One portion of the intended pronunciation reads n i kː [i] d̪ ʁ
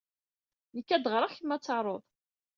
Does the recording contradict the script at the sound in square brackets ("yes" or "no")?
yes